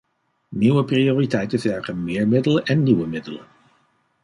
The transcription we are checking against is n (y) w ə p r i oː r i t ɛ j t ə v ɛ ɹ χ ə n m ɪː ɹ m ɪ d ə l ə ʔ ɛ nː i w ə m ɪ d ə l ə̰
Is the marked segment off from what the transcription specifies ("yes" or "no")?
yes